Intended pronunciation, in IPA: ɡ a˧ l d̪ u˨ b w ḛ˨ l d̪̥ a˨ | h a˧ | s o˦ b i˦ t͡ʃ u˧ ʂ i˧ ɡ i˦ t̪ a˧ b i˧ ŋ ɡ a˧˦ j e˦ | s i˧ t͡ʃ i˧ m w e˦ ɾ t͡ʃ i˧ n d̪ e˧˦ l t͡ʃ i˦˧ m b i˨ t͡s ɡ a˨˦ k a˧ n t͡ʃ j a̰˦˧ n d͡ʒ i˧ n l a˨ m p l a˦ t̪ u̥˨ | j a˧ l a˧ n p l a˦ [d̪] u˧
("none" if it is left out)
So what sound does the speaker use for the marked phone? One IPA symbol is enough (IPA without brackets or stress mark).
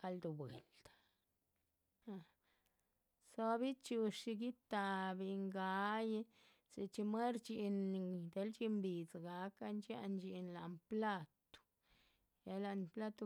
t̪